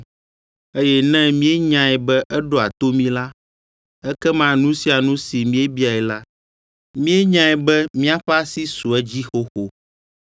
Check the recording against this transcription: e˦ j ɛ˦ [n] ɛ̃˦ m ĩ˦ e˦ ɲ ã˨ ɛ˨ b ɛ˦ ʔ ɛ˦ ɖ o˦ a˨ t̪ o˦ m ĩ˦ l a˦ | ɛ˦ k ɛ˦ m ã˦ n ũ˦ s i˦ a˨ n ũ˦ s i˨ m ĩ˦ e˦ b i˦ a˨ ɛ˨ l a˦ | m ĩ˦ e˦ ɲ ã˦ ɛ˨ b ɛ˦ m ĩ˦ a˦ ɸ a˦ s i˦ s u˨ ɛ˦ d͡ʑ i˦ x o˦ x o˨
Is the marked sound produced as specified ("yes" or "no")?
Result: yes